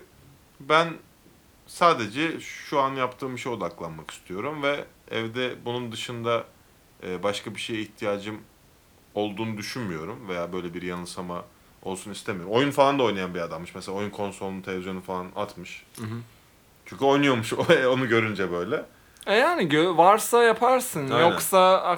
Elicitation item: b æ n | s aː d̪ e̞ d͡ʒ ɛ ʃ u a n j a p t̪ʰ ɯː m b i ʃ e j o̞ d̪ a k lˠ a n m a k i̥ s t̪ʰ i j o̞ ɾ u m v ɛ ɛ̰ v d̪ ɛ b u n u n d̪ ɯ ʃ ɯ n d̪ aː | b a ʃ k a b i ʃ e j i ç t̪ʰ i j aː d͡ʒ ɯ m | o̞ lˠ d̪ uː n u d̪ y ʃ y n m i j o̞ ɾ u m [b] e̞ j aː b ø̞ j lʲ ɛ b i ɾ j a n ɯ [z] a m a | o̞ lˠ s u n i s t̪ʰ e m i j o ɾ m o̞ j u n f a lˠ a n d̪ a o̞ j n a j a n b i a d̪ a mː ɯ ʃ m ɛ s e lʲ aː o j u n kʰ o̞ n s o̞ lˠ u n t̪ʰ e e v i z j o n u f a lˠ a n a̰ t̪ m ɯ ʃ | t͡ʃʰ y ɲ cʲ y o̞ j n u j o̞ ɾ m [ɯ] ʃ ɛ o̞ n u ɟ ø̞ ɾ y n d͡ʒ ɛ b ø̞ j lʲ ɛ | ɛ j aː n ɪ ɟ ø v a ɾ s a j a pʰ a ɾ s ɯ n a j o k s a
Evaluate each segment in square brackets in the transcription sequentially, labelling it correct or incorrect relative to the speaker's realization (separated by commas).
incorrect, incorrect, incorrect